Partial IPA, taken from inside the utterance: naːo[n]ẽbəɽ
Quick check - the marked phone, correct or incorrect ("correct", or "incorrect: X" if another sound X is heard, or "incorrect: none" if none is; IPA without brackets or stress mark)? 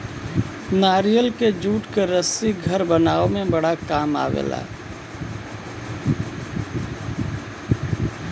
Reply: incorrect: m